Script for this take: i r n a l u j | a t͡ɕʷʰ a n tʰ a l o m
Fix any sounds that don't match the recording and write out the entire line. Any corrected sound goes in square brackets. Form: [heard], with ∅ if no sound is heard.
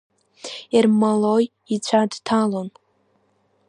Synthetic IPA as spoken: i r [m] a l [o] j | [i] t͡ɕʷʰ a [d] tʰ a l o [n]